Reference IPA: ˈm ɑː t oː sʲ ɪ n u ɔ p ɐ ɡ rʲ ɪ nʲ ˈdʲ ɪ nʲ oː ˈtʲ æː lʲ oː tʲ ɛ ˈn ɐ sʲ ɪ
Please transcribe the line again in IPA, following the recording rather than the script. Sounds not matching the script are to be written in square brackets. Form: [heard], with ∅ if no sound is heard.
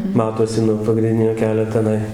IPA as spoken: ˈm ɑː t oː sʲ ɪ n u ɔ p ɐ ɡ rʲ ɪ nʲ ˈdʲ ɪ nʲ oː [ˈkʲ] æː lʲ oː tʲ ɛ ˈn ɐ [∅] ɪ